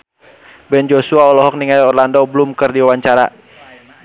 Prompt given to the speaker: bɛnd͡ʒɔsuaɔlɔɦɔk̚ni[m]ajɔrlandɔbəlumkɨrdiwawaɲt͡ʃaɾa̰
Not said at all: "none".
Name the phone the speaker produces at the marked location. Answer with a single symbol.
ŋ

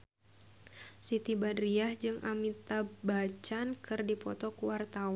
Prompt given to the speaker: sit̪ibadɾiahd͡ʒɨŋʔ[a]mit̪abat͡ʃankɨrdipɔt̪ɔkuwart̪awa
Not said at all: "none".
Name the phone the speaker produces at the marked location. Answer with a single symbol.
a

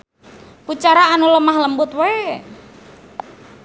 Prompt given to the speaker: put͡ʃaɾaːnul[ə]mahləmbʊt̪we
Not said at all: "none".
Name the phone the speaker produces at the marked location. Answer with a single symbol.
ə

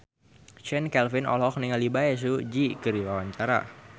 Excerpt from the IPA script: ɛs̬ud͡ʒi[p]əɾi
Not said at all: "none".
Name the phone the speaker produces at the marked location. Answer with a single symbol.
k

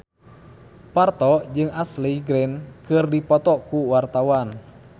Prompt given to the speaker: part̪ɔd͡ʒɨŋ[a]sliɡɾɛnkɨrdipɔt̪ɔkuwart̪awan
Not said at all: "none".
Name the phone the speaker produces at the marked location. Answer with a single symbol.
a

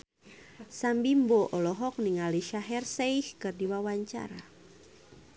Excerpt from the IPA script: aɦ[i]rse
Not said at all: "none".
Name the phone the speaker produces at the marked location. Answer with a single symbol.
ɛ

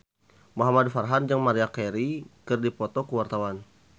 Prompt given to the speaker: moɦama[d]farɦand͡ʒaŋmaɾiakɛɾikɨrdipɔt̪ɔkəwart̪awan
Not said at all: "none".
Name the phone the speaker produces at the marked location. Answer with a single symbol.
d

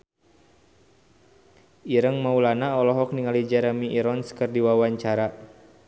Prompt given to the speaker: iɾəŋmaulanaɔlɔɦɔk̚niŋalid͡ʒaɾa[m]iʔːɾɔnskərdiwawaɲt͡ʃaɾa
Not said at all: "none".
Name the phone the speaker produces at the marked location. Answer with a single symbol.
m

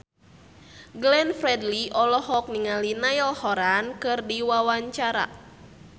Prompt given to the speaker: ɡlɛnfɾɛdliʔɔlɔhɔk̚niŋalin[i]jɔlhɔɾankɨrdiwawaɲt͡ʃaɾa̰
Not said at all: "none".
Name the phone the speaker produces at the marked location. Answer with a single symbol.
a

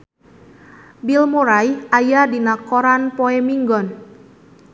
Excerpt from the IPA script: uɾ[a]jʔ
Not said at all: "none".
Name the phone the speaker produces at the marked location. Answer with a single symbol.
a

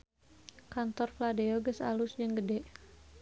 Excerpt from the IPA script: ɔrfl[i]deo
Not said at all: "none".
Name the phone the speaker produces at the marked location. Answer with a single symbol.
a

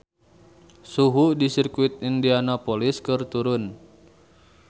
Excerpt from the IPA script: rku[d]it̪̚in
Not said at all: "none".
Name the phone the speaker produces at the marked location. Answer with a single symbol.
none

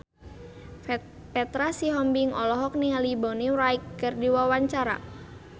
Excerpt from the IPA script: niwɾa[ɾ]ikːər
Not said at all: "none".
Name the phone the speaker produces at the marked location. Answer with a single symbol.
none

